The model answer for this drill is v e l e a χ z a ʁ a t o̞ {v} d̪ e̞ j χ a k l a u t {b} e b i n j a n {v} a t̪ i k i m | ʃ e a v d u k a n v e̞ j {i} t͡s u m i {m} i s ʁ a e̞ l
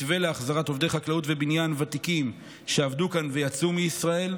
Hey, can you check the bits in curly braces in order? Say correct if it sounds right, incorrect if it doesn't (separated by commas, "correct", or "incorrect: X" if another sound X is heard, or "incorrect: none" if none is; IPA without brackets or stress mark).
correct, incorrect: v, correct, incorrect: a, incorrect: none